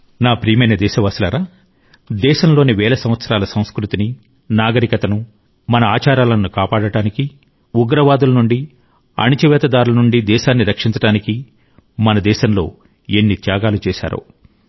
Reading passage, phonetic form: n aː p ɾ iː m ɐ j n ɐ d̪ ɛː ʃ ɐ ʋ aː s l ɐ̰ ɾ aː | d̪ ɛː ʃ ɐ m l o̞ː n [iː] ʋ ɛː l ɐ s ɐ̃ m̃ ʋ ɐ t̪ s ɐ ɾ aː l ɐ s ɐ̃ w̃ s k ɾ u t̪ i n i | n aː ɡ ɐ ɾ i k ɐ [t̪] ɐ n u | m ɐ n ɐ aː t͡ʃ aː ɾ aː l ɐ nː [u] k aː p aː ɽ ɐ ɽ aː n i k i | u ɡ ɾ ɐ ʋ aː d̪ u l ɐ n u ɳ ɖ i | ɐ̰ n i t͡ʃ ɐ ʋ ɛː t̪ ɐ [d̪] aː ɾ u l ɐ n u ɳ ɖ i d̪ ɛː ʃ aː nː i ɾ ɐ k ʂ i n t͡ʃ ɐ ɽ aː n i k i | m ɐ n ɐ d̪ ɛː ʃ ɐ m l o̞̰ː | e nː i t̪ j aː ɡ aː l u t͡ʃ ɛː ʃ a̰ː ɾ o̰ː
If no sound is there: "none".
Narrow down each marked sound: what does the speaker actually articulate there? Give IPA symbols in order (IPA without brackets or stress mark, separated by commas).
i, t̪, u, d̪